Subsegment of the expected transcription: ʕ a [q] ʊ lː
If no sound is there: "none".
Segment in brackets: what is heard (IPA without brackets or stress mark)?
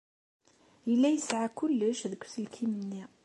k